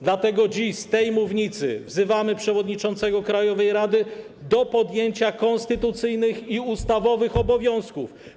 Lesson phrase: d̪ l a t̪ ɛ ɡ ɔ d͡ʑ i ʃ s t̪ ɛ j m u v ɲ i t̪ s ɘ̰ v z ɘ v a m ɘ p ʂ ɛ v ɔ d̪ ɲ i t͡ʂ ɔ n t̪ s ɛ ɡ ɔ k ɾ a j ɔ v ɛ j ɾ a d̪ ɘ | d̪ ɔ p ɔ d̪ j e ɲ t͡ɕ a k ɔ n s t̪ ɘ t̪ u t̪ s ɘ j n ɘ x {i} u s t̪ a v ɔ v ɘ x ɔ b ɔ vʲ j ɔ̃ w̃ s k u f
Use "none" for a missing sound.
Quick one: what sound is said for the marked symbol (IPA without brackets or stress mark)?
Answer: i